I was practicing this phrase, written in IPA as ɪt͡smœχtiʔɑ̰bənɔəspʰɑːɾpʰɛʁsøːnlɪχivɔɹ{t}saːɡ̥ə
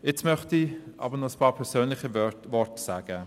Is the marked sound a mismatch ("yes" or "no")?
no